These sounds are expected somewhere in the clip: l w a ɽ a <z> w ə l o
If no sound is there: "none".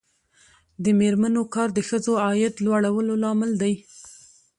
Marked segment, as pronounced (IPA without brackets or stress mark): none